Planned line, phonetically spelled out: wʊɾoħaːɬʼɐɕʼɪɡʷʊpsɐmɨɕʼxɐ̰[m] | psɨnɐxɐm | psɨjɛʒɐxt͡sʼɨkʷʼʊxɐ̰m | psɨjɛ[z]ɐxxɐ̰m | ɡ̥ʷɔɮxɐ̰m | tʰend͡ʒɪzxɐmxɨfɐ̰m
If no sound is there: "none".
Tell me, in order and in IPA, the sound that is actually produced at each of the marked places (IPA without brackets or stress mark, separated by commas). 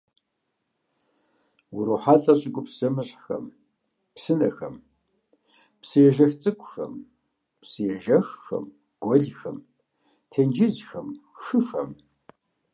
m, ʒ